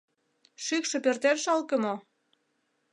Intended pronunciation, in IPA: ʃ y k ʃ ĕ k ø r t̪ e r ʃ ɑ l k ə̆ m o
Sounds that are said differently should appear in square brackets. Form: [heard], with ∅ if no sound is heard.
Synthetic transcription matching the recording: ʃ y k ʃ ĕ [p] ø r t̪ e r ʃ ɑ l k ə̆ m o